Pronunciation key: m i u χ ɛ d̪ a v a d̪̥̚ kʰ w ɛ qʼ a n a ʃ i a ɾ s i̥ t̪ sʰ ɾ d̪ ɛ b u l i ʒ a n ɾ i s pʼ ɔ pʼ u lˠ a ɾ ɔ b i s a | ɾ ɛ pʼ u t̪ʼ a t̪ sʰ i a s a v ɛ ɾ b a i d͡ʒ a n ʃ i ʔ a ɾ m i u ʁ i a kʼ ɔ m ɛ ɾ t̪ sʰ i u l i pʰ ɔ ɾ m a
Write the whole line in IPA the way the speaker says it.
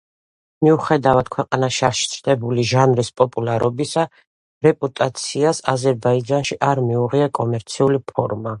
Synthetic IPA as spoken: m i u χ ɛ d̪ a v a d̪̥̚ kʰ w ɛ qʼ a n a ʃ i a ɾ ʃ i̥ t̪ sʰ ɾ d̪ ɛ b u l i ʒ a n ɾ i s pʼ ɔ pʼ u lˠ a ɾ ɔ b i s a | ɾ ɛ pʼ u t̪ʼ a t̪ sʰ i a s a z ɛ ɾ b a i d͡ʒ a n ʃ i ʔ a ɾ m i u ʁ i a kʼ ɔ m ɛ ɾ t̪ sʰ i u l i pʰ ɔ ɾ m a